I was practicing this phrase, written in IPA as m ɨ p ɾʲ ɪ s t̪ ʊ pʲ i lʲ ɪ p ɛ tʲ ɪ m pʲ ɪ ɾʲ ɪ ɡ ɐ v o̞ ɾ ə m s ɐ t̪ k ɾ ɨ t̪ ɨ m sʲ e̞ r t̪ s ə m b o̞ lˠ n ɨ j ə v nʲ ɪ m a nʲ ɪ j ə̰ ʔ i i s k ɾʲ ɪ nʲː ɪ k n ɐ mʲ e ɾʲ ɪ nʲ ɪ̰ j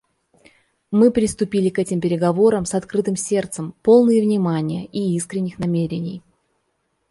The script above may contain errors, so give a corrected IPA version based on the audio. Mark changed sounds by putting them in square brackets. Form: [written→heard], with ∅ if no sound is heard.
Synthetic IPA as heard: m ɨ p ɾʲ ɪ s t̪ ʊ pʲ i lʲ ɪ [p→k] ɛ tʲ ɪ m pʲ ɪ ɾʲ ɪ ɡ ɐ v o̞ ɾ ə m s ɐ t̪ k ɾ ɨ t̪ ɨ m sʲ e̞ r t̪ s ə m [b→p] o̞ lˠ n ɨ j ə v nʲ ɪ m a nʲ ɪ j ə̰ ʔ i i s k ɾʲ ɪ nʲː ɪ [k→x] n ɐ mʲ e ɾʲ ɪ nʲ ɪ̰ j